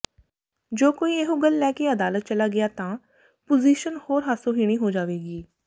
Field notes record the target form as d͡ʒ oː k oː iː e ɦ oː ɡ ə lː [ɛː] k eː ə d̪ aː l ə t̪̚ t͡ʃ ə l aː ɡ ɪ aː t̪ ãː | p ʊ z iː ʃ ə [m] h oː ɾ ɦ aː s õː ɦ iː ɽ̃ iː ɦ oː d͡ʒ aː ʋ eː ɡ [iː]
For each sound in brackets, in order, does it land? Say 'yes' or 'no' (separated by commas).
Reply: yes, no, yes